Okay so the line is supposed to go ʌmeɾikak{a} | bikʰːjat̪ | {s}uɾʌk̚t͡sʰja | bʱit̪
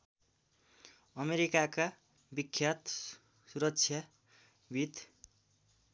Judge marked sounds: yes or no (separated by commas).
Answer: yes, yes